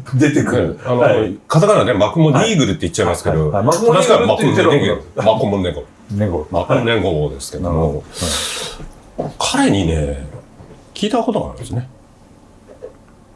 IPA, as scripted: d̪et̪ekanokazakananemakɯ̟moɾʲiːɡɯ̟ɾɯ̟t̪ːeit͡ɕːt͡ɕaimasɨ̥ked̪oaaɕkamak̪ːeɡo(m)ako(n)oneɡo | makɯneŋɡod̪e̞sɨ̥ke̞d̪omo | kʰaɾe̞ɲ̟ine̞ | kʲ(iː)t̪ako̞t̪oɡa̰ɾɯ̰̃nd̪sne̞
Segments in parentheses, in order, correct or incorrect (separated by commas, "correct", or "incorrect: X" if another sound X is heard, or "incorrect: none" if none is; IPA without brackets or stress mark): correct, incorrect: m, correct